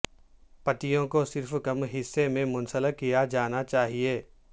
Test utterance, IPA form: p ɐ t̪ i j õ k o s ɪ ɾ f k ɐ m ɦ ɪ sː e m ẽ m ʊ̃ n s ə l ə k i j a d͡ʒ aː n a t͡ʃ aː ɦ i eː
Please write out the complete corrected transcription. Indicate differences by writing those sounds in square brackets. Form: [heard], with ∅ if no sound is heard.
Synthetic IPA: p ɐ t̪ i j õ k o s ɪ ɾ f k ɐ m ɦ ɪ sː e m ẽ m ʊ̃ n s ə l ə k i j a d͡ʒ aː n a t͡ʃ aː ɦ i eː